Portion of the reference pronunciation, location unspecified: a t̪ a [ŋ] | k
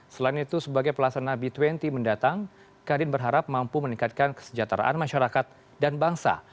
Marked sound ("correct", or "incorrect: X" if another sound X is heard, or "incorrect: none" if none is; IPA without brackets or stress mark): correct